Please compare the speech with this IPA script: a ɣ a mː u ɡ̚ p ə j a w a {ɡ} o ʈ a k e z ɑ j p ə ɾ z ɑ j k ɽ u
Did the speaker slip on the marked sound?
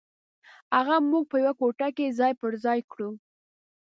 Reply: yes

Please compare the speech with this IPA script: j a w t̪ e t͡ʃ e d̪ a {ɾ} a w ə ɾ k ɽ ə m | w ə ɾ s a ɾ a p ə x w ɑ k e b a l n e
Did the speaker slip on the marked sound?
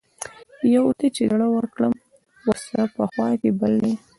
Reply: yes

